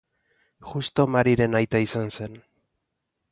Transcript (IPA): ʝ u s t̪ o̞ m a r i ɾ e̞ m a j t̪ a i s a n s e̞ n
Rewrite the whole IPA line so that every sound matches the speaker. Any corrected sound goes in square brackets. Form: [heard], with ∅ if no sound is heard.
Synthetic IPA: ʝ u s t̪ o̞ m a [ɾ] i ɾ e̞ [n] a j t̪ a i s a n s e̞ n